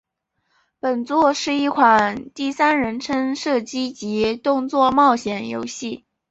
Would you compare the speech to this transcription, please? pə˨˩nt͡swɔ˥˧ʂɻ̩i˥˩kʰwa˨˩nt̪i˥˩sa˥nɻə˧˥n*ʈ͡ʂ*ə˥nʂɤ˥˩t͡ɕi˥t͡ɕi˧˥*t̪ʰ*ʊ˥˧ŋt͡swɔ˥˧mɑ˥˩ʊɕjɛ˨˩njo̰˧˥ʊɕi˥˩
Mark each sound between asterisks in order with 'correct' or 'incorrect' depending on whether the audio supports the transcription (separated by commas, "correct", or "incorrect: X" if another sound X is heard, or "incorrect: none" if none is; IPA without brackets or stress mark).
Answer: incorrect: ʈ͡ʂʰ, incorrect: t̪